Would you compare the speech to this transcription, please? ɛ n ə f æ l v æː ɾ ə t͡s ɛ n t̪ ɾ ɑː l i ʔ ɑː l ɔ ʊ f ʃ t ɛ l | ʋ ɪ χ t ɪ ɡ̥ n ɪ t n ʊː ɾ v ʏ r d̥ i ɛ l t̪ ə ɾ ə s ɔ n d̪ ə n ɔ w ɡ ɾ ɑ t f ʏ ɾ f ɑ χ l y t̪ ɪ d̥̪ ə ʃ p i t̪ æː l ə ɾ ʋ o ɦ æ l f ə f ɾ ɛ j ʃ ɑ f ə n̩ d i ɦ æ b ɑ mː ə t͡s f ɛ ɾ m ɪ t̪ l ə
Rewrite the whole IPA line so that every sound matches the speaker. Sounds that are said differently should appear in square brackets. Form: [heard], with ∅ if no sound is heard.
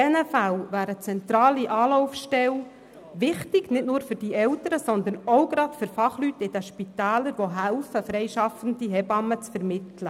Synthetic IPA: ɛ n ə f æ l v æː ɾ ə t͡s ɛ n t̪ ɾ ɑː l i ʔ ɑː l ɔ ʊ f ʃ t ɛ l | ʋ ɪ χ t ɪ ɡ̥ n ɪ t n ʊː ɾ [f] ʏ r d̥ i ɛ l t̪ ə ɾ ə s ɔ n d̪ ə n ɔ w ɡ ɾ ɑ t f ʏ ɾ f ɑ χ l y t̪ ɪ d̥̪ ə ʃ p i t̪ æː l ə ɾ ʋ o ɦ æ l f ə f ɾ ɛ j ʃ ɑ f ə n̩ d i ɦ [ɛ] b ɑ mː ə t͡s f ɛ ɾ m ɪ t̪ l ə